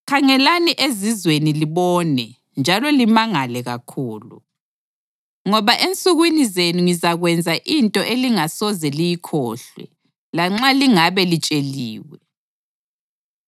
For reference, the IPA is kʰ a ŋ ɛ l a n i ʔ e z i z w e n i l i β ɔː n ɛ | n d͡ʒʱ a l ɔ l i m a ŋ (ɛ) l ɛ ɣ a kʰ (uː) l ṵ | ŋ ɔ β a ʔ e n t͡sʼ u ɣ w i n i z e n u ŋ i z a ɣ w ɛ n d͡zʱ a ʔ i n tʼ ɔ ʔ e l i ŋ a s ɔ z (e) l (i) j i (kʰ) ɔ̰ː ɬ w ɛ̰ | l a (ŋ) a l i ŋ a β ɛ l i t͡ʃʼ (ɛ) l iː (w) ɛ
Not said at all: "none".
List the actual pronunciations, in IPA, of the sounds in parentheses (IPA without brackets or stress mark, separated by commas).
a, uː, ɛ, i, kʰ, ŋ͡ǁ, e, w